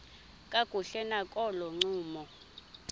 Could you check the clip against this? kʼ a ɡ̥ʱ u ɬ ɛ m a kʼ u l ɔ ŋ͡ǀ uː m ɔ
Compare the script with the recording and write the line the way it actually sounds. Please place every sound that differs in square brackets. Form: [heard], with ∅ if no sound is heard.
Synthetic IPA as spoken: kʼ a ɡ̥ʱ u ɬ ɛ [n] a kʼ [ɔ] l ɔ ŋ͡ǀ uː m ɔ